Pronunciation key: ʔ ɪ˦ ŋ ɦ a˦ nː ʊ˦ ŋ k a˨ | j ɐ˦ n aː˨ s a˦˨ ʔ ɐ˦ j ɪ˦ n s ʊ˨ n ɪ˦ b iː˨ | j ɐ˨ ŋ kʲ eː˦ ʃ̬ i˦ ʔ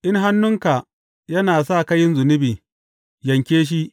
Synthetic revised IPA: ʔ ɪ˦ ŋ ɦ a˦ nː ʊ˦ ŋ k a˨ | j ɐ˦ n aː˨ s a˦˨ k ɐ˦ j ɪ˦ n z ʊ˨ n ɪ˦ b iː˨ | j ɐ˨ ŋ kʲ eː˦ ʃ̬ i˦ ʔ